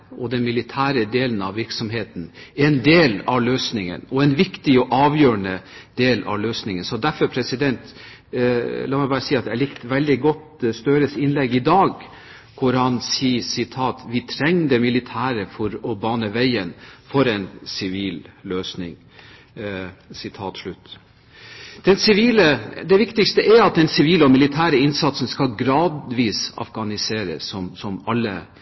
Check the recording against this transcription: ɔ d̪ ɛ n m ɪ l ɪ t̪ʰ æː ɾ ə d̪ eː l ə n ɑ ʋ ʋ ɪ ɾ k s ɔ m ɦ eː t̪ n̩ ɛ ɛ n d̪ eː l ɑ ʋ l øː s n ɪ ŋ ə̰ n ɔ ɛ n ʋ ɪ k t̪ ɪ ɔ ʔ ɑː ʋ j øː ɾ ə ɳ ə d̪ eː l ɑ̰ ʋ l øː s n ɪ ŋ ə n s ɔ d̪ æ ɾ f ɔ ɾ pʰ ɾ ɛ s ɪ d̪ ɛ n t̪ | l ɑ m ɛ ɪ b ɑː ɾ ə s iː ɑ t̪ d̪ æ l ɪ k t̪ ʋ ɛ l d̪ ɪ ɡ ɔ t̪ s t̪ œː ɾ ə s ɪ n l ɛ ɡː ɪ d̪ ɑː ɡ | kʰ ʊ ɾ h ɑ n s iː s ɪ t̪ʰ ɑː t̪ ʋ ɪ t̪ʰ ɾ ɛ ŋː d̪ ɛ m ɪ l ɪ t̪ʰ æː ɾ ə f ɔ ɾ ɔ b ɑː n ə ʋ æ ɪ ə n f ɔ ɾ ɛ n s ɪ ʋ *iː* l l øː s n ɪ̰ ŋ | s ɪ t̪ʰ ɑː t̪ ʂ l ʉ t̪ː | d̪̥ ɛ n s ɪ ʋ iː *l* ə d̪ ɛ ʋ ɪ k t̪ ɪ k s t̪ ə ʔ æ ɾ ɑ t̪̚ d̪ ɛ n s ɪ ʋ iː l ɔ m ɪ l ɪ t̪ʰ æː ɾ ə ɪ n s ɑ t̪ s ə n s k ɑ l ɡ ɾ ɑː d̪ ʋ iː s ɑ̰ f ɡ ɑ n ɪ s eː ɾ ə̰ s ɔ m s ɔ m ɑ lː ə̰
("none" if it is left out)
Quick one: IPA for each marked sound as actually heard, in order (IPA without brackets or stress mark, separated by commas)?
iː, l